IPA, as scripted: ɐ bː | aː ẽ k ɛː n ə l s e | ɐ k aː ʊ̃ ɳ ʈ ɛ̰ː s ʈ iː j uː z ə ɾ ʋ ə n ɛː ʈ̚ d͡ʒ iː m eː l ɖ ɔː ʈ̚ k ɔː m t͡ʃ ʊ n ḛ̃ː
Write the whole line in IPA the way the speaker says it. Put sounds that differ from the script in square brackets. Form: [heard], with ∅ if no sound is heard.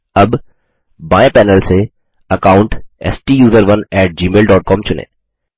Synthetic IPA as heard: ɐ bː | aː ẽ [p] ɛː n ə l s e | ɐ k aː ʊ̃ ɳ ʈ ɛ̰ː s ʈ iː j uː z ə ɾ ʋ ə n ɛː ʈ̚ d͡ʒ iː m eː l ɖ ɔː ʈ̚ k ɔː m t͡ʃ ʊ n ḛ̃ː